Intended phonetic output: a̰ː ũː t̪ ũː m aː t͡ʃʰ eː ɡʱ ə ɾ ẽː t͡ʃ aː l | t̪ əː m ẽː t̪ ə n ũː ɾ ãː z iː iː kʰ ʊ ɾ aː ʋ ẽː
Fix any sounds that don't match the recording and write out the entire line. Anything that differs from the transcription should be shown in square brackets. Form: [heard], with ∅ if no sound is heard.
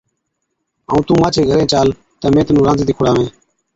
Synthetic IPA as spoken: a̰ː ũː t̪ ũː m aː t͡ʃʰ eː ɡʱ ə ɾ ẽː t͡ʃ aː l | t̪ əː m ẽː t̪ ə n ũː ɾ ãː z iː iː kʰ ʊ [ɽ] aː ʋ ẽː